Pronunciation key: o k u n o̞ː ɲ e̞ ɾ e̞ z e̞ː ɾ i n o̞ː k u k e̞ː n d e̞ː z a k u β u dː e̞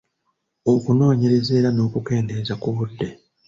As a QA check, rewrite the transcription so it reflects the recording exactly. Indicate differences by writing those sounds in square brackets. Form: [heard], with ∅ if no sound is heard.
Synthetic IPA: o k u n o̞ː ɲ e̞ ɾ e̞ z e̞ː ɾ [a] n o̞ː k u k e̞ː n d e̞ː z a k u β u dː e̞